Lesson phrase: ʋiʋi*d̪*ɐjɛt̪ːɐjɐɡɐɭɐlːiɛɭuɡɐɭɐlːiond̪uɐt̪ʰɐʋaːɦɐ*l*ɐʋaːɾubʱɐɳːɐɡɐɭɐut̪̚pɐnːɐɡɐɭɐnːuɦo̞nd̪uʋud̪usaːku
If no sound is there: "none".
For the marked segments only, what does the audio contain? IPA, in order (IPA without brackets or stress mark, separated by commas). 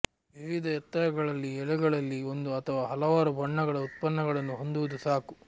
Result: d̪, l